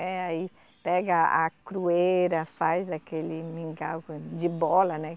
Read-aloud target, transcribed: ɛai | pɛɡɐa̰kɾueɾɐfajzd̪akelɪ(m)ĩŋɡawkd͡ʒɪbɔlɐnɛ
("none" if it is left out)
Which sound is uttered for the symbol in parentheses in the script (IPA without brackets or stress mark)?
m